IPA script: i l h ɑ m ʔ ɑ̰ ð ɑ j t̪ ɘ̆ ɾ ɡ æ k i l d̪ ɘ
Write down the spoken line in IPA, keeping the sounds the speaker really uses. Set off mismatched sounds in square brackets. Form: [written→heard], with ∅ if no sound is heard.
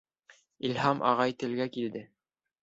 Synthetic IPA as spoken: i l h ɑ m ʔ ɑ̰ [ð→ʁ] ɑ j t̪ ɘ̆ [ɾ→l] ɡ æ k i l d̪ ɘ